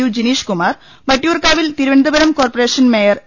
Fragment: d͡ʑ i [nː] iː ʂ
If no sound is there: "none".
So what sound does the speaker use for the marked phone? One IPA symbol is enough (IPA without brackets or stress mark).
n